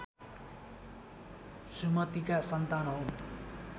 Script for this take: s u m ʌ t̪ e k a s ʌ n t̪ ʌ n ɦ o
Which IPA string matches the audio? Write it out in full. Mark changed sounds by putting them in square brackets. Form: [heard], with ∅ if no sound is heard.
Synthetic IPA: s u m ʌ t̪ [i] k a s ʌ n t̪ [a] n ɦ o